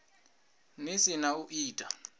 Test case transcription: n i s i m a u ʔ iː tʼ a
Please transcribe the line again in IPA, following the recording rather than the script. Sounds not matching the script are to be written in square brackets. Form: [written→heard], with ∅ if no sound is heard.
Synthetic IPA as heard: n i s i [m→n] a u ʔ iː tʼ a

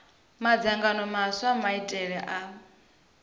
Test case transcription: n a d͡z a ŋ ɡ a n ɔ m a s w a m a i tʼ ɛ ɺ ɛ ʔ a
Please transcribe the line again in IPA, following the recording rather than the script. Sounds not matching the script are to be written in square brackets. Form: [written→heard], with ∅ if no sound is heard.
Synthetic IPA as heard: [n→m] a d͡z a ŋ ɡ a n ɔ m a s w a m a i tʼ ɛ ɺ ɛ ʔ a

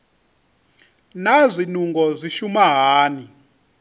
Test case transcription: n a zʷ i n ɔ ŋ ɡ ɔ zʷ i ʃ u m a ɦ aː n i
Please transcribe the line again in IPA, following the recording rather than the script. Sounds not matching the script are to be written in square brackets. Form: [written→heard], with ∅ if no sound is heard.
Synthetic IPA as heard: n a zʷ i n [ɔ→u] ŋ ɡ ɔ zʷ i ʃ u m a ɦ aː n i

